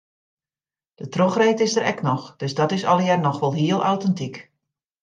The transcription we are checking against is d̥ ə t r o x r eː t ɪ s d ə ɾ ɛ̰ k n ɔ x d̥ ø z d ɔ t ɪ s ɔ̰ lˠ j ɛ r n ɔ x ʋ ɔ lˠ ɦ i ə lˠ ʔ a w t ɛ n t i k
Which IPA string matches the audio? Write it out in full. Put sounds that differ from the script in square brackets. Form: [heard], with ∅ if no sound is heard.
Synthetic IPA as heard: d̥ ə t r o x r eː t ɪ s d ə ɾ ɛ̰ k n ɔ x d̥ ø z d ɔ t ɪ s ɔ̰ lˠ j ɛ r n ɔ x ʋ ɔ lˠ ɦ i ə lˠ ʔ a w t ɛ n t i k